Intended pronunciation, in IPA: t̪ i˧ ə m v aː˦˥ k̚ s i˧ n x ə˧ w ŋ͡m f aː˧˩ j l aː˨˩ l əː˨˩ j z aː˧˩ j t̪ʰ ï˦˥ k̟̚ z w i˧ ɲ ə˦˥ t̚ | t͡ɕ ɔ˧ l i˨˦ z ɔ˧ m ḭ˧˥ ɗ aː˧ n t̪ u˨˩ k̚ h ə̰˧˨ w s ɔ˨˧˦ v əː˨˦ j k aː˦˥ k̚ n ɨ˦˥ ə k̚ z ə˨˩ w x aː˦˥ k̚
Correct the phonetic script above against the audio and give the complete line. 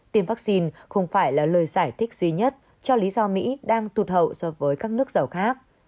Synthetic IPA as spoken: t̪ i˧ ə m v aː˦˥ k̚ s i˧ n x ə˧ w ŋ͡m f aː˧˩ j l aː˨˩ l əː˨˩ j z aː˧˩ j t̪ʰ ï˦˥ k̟̚ z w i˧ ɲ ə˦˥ t̚ | t͡ɕ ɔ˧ l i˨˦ z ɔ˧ m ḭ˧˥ ɗ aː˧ ŋ t̪ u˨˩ t̚ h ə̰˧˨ w s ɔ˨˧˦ v əː˨˦ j k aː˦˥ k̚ n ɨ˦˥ ə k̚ z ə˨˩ w x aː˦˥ k̚

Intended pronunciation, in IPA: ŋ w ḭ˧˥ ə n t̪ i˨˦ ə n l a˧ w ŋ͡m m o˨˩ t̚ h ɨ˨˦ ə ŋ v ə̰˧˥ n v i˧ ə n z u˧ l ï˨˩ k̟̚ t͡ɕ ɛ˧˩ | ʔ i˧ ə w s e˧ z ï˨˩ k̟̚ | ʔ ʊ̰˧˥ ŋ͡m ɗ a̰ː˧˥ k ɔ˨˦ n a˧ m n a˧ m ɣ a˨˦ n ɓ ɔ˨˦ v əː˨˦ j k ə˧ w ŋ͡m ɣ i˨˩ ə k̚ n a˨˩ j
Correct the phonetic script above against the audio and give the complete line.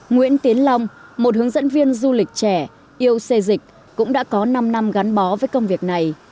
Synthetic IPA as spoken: ŋ w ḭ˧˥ ə n t̪ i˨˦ ə n l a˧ w ŋ͡m m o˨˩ t̚ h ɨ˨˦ ə ŋ z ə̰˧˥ n v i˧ ə n z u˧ l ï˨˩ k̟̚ t͡ɕ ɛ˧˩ | ʔ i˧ ə w s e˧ z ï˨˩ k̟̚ | k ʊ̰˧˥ ŋ͡m ɗ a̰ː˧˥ k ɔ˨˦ n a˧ m n a˧ m ɣ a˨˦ n ɓ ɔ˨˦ v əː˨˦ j k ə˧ w ŋ͡m v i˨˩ ə k̚ n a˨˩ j

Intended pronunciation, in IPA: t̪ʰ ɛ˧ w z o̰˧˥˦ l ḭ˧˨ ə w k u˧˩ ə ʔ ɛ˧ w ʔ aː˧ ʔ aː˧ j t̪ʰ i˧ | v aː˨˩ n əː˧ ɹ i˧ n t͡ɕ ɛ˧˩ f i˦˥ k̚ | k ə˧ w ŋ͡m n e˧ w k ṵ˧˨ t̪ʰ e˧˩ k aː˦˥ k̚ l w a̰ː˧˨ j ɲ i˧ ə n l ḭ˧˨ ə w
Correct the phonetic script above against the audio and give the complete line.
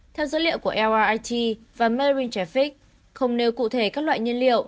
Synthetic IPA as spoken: t̪ʰ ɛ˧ w z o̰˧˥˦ l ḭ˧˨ ə w k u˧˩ ə ʔ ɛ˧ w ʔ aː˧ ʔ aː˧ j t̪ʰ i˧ | v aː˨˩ m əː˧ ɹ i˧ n t͡ɕ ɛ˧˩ f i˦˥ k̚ | x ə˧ w ŋ͡m n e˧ w k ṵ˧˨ t̪ʰ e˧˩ k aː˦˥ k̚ l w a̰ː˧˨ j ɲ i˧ ə n l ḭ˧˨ ə w

